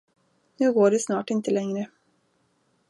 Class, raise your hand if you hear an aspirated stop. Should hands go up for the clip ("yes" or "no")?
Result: no